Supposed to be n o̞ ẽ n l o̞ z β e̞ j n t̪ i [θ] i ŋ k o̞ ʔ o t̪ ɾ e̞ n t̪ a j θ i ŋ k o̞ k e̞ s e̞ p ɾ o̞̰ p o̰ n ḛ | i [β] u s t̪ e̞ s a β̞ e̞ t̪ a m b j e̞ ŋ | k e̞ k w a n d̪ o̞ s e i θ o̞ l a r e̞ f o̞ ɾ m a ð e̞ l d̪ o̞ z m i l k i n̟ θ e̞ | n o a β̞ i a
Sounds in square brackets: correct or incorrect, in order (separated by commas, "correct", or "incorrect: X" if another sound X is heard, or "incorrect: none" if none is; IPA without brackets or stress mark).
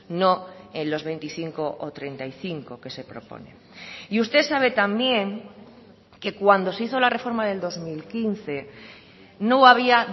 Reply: correct, incorrect: none